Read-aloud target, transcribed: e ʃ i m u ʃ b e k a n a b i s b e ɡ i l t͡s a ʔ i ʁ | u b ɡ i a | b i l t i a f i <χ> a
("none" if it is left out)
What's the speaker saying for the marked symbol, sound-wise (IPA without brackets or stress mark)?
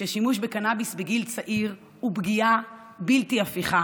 χ